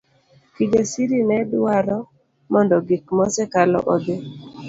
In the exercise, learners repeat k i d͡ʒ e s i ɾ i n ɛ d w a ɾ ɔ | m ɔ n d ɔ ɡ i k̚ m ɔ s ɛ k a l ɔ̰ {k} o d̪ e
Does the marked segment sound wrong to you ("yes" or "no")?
yes